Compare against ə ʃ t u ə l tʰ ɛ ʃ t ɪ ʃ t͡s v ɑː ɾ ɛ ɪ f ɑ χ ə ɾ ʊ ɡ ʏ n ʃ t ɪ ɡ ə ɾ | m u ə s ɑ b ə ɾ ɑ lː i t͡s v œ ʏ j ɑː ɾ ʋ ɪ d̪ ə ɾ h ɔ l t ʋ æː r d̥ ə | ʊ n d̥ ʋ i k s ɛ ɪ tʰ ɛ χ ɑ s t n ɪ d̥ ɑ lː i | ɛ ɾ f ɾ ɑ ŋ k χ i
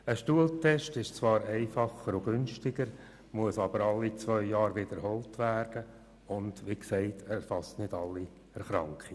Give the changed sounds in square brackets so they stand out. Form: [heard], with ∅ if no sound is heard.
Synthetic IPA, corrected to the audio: ə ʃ t u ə l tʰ ɛ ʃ t ɪ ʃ t͡s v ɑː ɾ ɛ ɪ f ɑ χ ə ɾ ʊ ɡ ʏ n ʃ t ɪ ɡ ə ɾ | m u ə s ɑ b ə ɾ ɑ lː i t͡s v œ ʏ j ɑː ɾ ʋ ɪ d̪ ə ɾ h ɔ l t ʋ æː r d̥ ə | ʊ n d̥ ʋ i k s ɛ ɪ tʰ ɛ [f] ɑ s t n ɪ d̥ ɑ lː i | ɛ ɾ [χ] ɾ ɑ ŋ k χ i